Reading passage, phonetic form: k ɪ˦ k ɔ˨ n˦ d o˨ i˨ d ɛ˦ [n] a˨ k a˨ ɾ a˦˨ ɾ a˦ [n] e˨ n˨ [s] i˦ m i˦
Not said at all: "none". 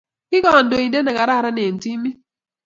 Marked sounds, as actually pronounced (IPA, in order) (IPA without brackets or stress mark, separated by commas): n, n, t